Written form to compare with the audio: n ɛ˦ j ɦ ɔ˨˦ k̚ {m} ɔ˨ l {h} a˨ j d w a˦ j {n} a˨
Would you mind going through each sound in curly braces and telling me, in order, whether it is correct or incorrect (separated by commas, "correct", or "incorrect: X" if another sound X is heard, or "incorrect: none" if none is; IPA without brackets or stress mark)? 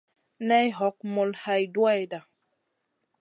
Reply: correct, correct, incorrect: d